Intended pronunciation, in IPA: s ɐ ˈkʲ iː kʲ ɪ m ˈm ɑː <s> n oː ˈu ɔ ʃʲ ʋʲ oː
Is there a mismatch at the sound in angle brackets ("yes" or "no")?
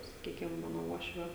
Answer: yes